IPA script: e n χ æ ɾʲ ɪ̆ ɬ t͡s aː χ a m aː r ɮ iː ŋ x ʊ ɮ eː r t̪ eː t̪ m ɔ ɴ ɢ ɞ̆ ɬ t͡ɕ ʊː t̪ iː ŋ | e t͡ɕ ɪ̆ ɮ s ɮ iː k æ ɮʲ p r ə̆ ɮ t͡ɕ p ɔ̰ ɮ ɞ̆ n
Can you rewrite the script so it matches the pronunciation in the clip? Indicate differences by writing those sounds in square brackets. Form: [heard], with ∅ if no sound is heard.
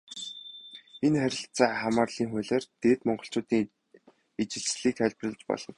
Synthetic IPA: e n χ æ ɾʲ ɪ̆ ɬ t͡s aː χ a m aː r ɮ iː ŋ x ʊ ɮ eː r t̪ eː t̪ m ɔ ɴ ɢ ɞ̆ ɬ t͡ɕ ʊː t̪ iː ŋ | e t͡ɕ ɪ̆ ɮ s ɮ iː k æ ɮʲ p r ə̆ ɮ t͡ɕ p ɔ̰ ɮ ɞ̆ n